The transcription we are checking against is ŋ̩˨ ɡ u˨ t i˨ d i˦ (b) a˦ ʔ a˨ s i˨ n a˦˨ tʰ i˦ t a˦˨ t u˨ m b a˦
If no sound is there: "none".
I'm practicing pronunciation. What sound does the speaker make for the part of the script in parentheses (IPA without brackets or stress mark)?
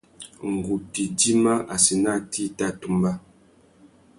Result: m